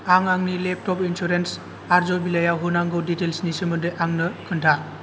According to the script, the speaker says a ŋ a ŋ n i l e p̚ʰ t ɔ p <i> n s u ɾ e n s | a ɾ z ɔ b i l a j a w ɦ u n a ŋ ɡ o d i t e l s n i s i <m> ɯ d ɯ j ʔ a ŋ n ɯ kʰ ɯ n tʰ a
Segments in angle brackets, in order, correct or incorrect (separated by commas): correct, correct